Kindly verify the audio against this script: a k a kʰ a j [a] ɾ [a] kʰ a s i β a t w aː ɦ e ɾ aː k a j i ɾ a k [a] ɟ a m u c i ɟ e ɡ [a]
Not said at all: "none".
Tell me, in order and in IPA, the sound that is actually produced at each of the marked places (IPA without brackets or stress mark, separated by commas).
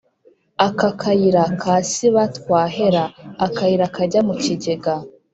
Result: i, a, a, a